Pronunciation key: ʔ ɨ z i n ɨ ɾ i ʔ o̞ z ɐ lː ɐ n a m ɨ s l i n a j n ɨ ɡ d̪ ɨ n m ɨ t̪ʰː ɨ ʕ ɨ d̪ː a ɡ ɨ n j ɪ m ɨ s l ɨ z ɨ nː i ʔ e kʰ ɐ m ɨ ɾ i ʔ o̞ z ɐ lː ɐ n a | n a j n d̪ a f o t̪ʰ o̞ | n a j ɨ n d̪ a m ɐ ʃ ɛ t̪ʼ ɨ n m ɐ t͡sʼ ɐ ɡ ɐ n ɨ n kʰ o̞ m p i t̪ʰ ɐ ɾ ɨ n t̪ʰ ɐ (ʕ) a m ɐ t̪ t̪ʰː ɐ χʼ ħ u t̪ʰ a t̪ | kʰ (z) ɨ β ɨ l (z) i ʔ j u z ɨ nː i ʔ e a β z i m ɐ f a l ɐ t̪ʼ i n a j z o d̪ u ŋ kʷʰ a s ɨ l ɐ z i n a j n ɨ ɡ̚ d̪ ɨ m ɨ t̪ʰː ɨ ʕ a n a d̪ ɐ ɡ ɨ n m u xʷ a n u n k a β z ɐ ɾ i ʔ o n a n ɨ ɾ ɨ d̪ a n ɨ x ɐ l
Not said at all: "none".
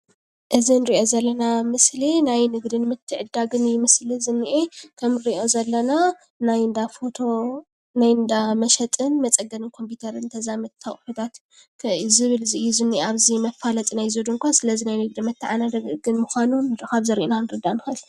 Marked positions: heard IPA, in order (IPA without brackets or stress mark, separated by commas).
z, z, z